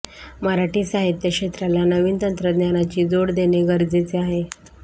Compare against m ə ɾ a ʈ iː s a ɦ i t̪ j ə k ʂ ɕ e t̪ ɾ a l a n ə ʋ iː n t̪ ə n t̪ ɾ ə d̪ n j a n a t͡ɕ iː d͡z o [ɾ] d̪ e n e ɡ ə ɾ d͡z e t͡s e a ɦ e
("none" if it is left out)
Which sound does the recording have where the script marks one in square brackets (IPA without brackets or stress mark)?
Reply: ɽ